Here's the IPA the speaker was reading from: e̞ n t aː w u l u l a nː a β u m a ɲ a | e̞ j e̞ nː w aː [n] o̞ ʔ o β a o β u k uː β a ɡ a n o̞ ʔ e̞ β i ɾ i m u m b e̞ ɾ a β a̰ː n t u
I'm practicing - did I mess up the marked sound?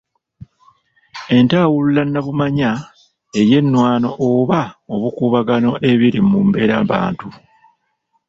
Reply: no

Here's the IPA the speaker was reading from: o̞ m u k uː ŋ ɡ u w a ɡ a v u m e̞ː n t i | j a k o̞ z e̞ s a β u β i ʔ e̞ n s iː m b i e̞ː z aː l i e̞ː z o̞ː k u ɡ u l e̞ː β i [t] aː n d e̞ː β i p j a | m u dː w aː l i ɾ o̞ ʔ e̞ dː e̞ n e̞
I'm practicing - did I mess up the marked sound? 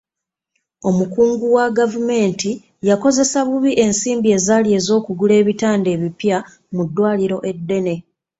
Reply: no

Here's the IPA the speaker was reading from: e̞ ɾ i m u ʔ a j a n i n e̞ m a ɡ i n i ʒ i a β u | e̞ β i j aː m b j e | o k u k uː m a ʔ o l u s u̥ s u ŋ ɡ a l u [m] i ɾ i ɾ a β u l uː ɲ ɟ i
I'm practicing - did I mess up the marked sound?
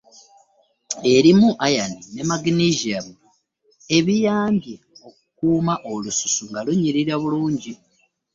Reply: yes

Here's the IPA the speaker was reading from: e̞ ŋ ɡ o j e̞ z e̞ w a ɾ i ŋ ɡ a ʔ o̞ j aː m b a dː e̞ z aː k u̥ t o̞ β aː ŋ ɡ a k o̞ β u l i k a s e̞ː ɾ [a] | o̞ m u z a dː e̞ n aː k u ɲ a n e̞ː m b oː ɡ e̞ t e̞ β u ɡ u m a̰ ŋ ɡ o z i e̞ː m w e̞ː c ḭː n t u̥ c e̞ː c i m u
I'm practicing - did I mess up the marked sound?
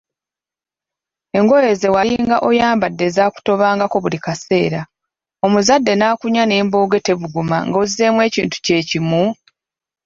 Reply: no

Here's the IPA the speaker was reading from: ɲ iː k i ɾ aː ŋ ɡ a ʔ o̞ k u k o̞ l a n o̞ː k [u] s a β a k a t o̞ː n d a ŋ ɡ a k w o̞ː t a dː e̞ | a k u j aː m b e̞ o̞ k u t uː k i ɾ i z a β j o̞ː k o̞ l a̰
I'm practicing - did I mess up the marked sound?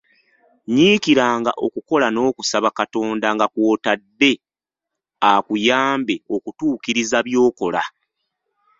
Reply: no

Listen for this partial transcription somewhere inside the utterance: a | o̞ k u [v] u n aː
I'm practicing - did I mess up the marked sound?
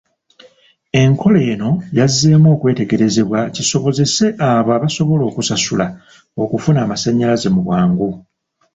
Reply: yes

